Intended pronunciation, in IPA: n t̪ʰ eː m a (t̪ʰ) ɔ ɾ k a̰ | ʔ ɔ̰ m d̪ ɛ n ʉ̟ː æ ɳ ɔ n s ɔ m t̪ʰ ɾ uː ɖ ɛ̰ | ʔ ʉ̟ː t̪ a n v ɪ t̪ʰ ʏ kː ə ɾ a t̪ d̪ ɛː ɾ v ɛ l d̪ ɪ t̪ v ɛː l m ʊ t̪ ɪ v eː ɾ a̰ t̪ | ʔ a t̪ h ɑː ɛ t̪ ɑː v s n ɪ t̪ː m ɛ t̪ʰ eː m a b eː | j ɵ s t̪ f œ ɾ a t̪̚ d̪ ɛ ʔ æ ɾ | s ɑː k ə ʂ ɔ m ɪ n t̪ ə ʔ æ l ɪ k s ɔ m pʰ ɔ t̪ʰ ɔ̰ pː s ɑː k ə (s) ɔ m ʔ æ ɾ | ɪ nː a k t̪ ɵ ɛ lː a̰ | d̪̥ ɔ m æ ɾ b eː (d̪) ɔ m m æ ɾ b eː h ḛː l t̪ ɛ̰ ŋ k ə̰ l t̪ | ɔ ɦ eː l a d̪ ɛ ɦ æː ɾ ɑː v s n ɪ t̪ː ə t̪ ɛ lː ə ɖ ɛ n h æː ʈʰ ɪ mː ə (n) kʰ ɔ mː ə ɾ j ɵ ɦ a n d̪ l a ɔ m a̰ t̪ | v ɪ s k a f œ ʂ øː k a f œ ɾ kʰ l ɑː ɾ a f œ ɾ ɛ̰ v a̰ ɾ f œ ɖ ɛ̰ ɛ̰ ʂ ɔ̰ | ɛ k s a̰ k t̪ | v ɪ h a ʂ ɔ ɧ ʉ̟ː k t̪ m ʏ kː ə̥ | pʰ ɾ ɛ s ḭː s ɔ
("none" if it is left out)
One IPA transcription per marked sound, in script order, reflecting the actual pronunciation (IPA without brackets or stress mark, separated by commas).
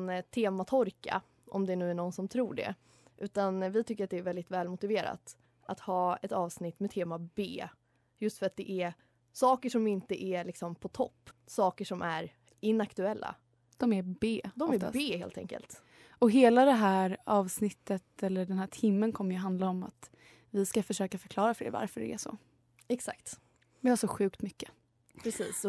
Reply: t̪ʰ, ʂ, d̪, n